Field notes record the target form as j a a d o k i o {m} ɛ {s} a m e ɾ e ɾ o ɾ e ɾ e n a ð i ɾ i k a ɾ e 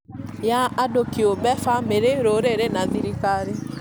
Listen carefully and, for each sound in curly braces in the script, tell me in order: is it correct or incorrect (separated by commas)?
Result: incorrect, incorrect